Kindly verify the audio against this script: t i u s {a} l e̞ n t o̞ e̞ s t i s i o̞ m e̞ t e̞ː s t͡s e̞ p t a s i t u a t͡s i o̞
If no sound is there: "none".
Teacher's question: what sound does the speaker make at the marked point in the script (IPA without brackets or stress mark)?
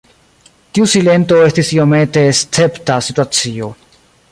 i